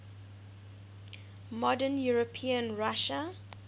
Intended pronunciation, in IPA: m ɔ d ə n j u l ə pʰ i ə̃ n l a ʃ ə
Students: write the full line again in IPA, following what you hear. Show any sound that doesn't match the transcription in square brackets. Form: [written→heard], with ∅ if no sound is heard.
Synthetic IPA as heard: m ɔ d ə n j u [l→ɹ] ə pʰ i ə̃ n [l→ɹ] a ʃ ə

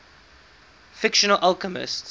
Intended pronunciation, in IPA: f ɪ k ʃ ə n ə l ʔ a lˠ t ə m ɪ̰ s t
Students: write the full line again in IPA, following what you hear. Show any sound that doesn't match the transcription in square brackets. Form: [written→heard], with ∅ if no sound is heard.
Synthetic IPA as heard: f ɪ k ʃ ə n ə l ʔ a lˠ [t→k] ə m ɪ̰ s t

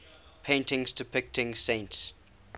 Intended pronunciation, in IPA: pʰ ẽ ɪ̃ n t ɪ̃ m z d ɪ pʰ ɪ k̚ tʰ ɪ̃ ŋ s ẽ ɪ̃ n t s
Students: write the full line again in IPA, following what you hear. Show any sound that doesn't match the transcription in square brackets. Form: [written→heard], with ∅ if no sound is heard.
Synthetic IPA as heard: pʰ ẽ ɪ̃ n t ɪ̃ [m→ŋ] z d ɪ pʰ ɪ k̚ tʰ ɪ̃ ŋ s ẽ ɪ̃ n t s

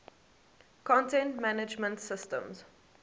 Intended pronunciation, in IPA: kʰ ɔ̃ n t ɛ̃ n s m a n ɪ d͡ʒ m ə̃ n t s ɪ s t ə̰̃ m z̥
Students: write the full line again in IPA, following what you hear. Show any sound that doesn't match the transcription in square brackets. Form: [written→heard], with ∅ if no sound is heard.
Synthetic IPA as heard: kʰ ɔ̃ n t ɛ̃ n [s→t] m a n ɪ d͡ʒ m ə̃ n t s ɪ s t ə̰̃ m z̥

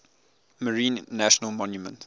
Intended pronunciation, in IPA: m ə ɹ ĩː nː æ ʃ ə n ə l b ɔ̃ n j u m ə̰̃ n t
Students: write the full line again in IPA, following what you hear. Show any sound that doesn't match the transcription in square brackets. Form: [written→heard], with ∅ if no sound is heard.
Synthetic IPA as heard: m ə ɹ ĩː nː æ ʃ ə n ə l [b→m] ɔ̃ n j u m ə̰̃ n t

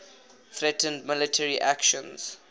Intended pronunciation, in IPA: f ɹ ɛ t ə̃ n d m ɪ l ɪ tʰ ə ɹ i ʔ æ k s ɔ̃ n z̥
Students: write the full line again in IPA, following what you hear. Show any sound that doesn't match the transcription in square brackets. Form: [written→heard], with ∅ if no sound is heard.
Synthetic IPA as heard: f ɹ ɛ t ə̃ n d m ɪ l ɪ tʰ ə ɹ i ʔ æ k [s→ʃ] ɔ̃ n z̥

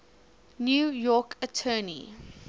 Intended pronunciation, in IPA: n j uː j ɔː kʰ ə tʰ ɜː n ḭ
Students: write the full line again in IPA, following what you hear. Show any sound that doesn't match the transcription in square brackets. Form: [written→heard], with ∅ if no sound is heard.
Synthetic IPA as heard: n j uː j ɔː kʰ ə tʰ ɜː n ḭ

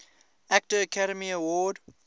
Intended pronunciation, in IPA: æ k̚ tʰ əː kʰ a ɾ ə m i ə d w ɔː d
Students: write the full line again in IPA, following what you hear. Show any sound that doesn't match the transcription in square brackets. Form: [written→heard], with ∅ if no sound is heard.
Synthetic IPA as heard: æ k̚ [tʰ→t] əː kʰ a ɾ ə m i ə [d→∅] w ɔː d

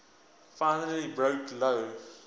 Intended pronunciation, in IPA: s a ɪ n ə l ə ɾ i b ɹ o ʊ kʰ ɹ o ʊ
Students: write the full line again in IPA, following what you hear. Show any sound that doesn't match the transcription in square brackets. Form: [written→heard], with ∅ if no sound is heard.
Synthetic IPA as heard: [s→f] a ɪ n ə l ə [ɾ→l] i b ɹ o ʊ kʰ [ɹ→l] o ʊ

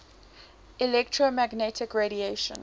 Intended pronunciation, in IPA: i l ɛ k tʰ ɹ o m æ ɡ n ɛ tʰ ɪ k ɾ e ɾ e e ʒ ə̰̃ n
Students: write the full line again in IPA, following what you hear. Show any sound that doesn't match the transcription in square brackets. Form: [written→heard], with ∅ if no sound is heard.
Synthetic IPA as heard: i l ɛ k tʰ ɹ o m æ ɡ n ɛ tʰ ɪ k [ɾ→ɹ] e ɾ [e→i] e [ʒ→ʃ] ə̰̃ n

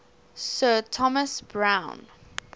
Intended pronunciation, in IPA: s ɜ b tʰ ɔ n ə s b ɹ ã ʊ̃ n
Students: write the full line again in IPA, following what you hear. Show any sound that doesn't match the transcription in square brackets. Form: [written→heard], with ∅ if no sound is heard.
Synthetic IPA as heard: s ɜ [b→∅] tʰ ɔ [n→m] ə s b ɹ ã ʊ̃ n

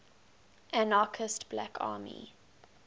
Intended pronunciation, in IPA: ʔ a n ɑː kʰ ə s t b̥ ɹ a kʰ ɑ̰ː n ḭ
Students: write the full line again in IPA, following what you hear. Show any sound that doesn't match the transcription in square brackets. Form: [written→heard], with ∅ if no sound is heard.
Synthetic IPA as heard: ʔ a n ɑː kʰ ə s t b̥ [ɹ→l] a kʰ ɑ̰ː [n→m] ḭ

